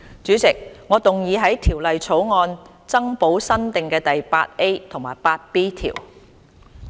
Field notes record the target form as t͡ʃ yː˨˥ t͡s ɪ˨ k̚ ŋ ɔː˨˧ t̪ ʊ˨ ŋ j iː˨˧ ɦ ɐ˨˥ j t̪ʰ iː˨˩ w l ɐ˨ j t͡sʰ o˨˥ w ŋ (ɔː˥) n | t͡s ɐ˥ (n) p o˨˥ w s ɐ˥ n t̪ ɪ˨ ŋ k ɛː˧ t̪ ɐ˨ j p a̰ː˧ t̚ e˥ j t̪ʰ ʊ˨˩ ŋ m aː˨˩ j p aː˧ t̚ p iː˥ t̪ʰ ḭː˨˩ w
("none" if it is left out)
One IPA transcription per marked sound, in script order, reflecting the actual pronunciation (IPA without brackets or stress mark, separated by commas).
ɔː˧, ŋ